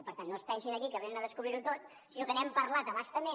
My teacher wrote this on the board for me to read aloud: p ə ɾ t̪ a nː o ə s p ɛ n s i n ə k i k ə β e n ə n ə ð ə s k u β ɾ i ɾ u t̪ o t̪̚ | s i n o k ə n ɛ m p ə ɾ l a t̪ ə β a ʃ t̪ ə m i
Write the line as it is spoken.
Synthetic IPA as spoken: p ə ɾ t̪ a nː o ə s p ɛ n s i n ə k i k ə β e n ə n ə ð ə s k u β ɾ i ɾ u t̪ o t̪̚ | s i n o k ə n ɛ m p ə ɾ l a t̪ ə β a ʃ t̪ ə m e